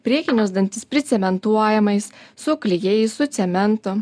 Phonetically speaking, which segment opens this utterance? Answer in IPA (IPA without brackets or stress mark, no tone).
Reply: pʲ